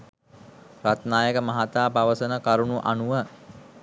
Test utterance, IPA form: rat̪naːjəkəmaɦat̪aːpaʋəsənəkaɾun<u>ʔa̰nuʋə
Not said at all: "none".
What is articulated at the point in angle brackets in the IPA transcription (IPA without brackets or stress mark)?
u